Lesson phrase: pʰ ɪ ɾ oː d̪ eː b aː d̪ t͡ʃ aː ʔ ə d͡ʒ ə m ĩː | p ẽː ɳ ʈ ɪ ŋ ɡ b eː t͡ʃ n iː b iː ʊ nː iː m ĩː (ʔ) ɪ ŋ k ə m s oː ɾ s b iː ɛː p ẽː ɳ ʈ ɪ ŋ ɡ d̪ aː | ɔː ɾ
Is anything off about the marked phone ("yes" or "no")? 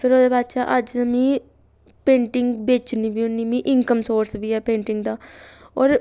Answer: no